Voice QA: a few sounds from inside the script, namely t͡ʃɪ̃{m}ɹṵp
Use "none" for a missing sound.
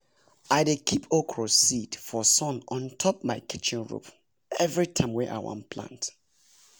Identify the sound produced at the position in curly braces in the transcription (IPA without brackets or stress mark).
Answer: n